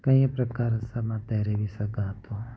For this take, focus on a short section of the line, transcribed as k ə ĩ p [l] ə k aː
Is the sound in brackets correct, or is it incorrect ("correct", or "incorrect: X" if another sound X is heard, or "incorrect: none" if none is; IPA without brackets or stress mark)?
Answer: incorrect: ɾ